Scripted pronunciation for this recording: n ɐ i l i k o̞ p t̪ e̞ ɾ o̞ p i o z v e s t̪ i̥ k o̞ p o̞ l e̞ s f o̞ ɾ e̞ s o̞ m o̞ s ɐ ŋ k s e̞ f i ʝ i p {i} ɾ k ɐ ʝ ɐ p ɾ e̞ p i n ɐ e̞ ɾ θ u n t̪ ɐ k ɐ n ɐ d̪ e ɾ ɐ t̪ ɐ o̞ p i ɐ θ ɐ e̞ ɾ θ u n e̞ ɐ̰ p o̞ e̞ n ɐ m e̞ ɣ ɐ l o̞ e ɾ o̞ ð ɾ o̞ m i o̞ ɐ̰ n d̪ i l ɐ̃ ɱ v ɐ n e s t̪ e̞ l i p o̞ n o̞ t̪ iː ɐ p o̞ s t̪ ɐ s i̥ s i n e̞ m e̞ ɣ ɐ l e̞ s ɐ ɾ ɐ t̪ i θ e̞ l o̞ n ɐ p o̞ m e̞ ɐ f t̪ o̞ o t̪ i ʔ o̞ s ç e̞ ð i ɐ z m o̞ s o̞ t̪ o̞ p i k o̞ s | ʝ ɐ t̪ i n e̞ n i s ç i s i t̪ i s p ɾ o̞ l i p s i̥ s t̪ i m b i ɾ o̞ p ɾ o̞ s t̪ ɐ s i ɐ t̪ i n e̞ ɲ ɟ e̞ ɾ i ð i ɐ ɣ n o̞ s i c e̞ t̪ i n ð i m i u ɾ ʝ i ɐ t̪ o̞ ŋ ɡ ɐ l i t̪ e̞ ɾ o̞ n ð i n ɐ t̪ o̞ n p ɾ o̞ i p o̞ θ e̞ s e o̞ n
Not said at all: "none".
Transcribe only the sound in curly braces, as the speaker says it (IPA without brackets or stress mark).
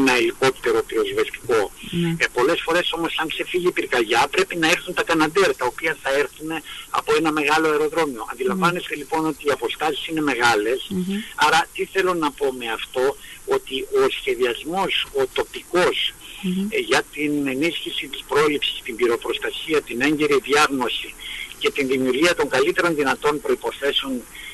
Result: i